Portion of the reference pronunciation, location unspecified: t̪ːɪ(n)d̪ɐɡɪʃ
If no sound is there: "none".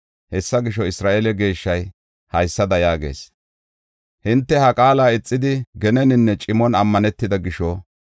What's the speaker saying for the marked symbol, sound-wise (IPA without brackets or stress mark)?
none